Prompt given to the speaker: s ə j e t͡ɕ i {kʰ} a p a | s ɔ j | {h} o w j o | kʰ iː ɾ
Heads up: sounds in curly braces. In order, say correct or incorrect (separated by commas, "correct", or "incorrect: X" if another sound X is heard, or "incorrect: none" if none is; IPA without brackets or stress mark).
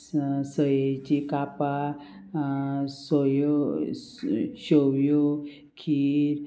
incorrect: k, incorrect: ɕ